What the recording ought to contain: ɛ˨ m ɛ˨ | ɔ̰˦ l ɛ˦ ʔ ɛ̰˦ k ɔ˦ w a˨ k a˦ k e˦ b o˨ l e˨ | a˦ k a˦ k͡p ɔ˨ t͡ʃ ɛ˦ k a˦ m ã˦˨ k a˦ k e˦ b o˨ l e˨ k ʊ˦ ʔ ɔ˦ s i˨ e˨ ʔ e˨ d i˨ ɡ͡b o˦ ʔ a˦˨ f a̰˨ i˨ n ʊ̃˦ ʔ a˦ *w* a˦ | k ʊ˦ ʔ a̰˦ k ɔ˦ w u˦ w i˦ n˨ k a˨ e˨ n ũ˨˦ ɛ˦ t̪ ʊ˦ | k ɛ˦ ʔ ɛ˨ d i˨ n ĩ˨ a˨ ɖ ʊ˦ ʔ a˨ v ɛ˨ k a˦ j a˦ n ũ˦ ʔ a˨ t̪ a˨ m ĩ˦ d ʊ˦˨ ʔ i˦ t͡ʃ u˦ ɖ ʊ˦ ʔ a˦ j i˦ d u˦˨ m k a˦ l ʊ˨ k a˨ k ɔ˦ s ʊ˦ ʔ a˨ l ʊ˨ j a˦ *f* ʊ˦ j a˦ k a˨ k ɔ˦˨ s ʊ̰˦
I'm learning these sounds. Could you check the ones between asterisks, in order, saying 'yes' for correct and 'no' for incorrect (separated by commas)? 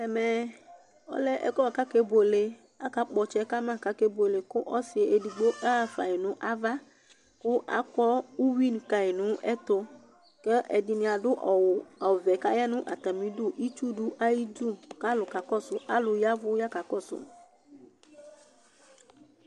no, no